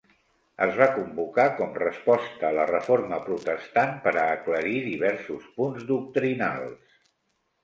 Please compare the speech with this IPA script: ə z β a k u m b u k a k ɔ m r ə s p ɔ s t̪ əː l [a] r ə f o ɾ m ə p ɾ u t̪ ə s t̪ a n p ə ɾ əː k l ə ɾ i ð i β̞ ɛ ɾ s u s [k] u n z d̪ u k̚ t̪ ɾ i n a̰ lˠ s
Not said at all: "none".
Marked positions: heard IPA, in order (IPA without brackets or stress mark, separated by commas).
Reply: ə, p